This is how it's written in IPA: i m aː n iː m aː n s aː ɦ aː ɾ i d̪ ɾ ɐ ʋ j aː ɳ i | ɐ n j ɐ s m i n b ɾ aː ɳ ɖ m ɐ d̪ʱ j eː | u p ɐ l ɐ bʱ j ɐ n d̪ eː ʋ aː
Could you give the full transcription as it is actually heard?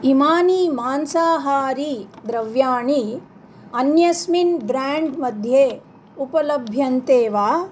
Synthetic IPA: i m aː n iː m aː n s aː ɦ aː ɾ i d̪ ɾ ɐ ʋ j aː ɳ i | ɐ n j ɐ s m i n b ɾ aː ɳ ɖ m ɐ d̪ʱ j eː | u p ɐ l ɐ bʱ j ɐ n t̪ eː ʋ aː